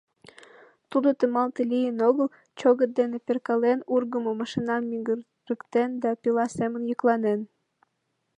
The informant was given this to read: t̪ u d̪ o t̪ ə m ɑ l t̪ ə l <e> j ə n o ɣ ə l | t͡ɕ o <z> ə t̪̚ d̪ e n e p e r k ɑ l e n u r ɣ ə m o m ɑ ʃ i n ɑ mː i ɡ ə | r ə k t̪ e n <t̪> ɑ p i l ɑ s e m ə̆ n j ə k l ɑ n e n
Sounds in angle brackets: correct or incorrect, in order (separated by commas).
incorrect, incorrect, incorrect